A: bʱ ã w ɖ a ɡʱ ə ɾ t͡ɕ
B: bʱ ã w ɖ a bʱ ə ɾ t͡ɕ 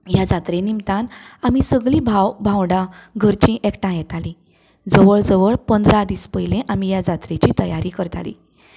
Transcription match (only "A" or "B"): A